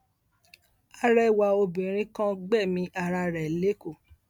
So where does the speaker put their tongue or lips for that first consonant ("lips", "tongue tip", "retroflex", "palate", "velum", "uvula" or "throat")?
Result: tongue tip